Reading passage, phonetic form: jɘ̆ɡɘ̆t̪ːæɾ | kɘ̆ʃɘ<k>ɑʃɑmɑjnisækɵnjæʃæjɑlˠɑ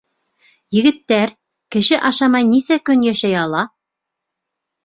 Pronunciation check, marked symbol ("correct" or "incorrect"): incorrect